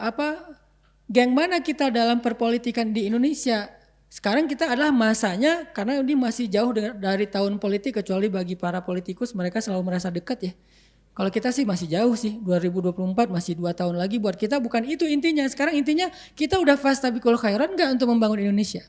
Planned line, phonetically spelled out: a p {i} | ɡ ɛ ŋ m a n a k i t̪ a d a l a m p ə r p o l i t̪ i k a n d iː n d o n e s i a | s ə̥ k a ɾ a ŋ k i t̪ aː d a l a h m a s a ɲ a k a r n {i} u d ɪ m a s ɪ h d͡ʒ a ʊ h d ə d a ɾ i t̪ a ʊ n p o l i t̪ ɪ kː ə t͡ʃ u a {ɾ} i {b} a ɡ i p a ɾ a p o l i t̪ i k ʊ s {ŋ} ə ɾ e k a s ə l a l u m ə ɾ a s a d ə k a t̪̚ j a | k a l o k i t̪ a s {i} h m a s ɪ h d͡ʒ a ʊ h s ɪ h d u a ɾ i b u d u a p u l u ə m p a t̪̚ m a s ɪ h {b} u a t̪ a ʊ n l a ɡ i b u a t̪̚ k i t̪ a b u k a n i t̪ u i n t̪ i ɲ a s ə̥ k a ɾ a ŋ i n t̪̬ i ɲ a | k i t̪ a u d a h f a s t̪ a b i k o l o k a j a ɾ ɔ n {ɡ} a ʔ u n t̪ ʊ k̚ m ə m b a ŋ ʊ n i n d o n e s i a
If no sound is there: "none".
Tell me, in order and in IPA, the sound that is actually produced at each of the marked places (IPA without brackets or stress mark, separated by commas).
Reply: a, a, l, b, m, ɪ, d, ɡ